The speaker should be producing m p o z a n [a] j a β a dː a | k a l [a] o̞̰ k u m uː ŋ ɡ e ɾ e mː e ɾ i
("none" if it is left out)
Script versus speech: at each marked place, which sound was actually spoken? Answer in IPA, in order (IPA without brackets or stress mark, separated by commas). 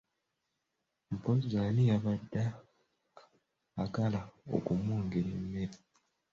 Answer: i, a